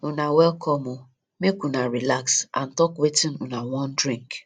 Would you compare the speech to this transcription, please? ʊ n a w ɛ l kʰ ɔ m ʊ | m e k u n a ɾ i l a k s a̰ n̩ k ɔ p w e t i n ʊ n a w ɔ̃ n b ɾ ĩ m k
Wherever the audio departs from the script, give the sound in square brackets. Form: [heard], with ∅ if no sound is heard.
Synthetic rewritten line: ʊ n a w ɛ l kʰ ɔ m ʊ | m e k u n a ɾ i l a k s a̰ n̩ [t] ɔ [k] w e t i n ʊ n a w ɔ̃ n [d] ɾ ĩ [ŋ] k